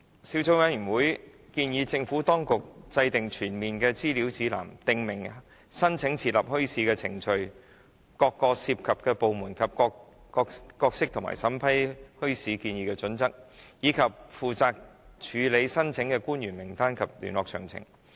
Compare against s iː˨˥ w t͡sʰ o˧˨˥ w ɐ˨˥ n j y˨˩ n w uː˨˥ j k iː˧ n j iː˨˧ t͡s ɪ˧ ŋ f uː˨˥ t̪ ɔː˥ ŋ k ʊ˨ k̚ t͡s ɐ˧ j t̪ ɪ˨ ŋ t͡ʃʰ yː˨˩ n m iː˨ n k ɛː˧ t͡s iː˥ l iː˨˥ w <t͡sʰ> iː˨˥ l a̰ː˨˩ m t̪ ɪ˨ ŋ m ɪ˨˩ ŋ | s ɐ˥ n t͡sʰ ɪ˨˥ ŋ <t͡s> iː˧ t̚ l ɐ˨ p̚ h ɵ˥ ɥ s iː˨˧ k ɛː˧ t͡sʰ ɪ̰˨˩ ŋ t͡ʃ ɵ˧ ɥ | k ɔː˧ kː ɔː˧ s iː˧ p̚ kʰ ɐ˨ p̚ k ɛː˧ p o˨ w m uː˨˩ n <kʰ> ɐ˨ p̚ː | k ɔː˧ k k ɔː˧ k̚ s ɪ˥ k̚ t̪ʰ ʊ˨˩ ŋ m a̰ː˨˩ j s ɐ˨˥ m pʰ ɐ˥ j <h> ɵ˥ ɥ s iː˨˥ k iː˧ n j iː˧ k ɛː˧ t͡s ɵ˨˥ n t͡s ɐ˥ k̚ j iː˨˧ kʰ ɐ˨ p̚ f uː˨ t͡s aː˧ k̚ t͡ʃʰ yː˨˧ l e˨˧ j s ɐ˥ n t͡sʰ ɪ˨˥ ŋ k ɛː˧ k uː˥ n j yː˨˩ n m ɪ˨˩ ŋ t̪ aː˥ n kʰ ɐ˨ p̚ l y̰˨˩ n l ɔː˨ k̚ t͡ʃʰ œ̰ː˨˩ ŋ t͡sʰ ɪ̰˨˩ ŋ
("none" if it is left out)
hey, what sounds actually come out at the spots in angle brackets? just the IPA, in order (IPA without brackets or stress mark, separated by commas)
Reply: t͡s, t͡sʰ, kʰ, h